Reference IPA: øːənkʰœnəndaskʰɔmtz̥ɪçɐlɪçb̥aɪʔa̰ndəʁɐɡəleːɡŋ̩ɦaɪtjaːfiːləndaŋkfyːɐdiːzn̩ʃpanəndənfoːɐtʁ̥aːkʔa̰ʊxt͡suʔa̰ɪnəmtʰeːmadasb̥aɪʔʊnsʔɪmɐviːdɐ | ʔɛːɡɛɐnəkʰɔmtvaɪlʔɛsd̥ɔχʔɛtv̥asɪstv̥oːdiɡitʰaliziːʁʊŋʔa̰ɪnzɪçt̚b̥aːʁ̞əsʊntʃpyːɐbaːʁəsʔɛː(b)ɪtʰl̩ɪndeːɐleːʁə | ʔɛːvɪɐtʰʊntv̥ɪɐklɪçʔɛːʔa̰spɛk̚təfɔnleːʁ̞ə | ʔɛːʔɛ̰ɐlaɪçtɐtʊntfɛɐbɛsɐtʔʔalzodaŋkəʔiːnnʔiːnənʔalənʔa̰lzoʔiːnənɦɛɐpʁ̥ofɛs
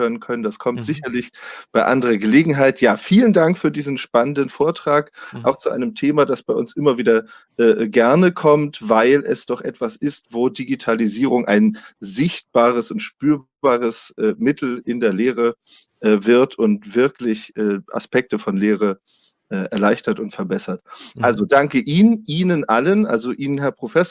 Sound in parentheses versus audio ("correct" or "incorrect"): incorrect